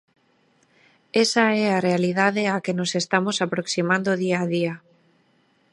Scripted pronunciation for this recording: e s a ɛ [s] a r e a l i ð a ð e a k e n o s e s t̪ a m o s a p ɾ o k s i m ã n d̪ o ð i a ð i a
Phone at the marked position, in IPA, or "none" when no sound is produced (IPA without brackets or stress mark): none